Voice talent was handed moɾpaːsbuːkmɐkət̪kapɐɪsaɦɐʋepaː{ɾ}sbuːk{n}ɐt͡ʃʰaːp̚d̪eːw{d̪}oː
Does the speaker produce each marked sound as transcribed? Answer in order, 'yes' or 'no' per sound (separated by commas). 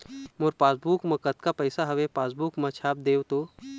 no, no, no